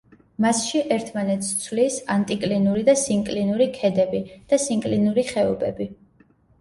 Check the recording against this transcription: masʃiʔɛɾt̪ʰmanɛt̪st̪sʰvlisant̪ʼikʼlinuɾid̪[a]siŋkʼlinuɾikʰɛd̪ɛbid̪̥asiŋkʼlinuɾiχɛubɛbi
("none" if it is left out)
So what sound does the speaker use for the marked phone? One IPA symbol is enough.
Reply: a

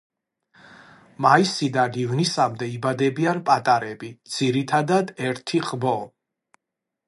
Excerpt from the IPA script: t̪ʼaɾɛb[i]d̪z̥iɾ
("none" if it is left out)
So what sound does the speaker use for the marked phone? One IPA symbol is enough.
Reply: i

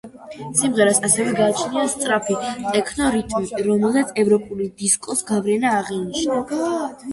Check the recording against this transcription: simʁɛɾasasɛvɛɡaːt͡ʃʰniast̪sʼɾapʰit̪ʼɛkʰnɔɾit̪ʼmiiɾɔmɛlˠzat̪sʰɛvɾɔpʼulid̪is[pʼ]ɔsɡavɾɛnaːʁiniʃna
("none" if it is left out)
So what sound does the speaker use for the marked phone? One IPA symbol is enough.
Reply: kʼ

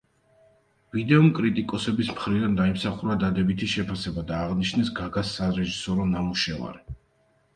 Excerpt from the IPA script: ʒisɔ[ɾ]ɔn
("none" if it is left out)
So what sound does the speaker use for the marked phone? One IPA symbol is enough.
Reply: ɾ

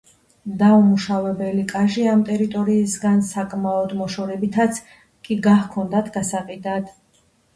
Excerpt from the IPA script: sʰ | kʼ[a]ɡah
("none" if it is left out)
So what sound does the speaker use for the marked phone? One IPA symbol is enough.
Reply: i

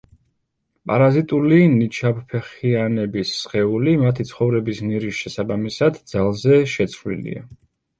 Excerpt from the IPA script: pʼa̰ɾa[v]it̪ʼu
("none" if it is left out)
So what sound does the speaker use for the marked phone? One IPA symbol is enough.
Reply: z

